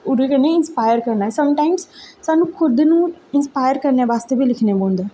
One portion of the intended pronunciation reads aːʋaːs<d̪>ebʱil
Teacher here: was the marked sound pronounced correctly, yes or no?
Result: no